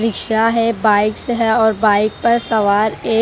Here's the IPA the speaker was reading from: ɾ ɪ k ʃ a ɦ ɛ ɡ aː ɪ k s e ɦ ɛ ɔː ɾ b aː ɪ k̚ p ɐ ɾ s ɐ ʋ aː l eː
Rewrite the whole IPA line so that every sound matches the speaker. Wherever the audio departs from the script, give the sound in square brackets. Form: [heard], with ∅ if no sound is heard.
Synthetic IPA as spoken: ɾ ɪ k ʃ a ɦ ɛ [b] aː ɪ k s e ɦ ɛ ɔː ɾ b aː ɪ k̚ p ɐ ɾ s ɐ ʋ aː [ɾ] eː